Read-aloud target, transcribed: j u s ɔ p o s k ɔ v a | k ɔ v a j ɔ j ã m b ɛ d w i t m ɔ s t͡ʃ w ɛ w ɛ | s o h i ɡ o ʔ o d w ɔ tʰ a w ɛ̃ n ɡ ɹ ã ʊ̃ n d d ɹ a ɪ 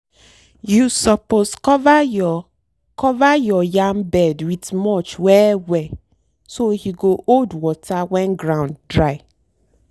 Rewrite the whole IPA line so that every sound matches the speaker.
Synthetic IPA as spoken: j u s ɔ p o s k ɔ v a | k ɔ v a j ɔ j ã m b ɛ d w i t m ɔ t͡ʃ w ɛ w ɛ | s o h i ɡ o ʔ o d w ɔ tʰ a w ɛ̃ n ɡ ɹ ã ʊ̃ n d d ɹ a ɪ